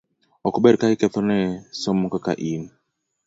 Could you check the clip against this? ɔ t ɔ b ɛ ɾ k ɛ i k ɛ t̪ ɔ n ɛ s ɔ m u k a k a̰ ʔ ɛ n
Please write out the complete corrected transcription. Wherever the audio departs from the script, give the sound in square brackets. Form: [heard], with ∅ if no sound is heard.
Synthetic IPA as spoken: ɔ [k] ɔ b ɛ ɾ k [a] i k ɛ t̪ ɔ n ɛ s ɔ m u k a k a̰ ʔ [i] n